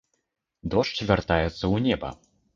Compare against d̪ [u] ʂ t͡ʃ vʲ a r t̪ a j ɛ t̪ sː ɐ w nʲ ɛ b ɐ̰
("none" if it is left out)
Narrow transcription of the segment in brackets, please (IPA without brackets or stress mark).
ɔ